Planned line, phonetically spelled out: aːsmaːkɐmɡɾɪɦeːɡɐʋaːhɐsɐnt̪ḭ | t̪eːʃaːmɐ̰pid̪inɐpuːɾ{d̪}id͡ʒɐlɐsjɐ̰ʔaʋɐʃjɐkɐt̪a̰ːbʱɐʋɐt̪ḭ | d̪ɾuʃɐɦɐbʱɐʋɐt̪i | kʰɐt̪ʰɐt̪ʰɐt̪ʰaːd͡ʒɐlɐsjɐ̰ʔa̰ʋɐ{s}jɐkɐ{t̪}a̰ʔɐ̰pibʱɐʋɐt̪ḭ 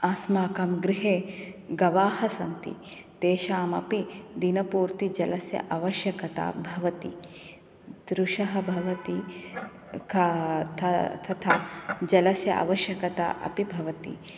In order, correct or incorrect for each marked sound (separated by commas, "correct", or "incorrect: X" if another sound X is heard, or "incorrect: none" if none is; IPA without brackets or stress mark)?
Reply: incorrect: t̪, incorrect: ʃ, correct